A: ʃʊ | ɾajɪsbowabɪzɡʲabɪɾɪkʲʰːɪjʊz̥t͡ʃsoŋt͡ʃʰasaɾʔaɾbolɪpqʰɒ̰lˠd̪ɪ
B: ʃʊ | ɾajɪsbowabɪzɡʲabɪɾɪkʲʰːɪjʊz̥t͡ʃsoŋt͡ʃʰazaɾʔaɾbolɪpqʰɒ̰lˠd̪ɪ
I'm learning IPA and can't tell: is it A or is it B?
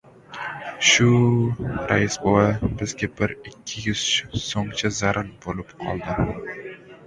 B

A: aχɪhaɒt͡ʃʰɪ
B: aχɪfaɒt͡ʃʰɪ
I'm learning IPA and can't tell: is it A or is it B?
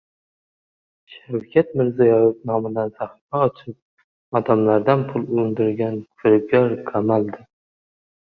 B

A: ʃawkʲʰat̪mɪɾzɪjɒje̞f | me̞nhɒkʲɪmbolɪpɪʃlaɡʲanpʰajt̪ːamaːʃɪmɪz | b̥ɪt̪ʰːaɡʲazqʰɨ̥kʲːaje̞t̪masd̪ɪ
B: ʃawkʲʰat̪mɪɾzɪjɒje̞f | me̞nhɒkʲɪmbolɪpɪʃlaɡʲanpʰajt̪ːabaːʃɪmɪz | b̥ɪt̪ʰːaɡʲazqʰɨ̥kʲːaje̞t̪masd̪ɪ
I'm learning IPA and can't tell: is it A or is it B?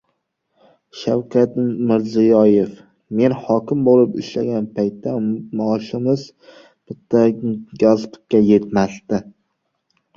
A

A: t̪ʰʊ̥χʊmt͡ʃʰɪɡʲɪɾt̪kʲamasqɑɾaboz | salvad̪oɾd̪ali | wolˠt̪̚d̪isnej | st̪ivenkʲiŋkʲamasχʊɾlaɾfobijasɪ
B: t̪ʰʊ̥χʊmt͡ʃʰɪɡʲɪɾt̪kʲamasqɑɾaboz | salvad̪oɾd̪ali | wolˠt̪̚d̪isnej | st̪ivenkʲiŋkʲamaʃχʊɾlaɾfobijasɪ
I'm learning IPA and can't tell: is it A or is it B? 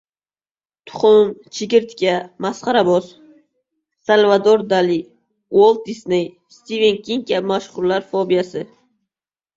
B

